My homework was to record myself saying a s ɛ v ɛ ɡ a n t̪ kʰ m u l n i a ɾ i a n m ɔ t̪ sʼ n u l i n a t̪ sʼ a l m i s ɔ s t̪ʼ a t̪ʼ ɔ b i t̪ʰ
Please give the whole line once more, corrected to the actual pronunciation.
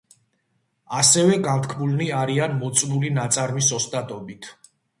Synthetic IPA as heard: a s ɛ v ɛ ɡ a n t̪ kʰ m u l n i a ɾ i a n m ɔ t̪ sʼ n u l i n a t̪ sʼ a ɾ m i s ɔ s t̪ʼ a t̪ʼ ɔ b i t̪ʰ